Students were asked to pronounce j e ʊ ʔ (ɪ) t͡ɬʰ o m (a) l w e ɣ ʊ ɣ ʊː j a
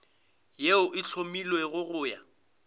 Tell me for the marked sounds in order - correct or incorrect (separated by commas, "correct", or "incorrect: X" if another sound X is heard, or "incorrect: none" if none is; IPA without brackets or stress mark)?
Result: correct, incorrect: i